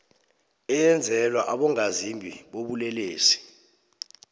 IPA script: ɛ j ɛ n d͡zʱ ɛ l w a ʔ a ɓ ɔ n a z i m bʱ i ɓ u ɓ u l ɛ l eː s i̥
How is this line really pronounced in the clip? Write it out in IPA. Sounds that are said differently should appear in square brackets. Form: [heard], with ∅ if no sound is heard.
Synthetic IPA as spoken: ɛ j ɛ n d͡zʱ ɛ l w a ʔ a ɓ ɔ [ŋ] a z i m bʱ i ɓ [o] ɓ u l ɛ l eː s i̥